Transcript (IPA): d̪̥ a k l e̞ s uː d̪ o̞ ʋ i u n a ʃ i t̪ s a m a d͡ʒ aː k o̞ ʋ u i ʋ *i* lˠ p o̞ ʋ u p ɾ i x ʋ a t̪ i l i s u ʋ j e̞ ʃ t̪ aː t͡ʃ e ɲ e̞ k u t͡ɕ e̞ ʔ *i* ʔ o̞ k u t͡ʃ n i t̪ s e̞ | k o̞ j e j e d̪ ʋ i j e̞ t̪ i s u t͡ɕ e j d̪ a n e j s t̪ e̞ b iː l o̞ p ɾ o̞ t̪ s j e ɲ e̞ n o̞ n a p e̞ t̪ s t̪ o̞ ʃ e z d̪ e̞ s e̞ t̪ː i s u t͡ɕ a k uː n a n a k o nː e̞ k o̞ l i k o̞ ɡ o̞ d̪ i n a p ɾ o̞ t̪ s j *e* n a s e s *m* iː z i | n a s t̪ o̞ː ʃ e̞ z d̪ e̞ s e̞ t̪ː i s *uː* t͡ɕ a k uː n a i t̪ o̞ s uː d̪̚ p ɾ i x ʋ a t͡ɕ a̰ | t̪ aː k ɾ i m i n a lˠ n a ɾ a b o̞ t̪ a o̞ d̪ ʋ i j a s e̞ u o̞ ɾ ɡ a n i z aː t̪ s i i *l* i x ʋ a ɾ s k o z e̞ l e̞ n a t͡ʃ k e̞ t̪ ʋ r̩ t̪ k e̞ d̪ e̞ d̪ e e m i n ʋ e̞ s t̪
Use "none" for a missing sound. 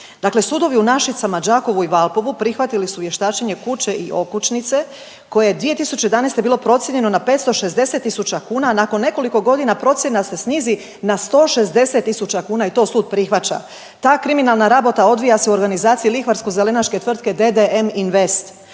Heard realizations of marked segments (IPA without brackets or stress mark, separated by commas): a, i, e, n, u, l